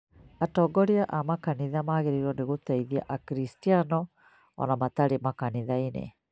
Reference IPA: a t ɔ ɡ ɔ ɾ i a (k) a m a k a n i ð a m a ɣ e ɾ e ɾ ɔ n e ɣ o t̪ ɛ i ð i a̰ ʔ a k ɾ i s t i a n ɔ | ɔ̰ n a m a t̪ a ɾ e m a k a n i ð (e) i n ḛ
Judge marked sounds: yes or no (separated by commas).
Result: no, no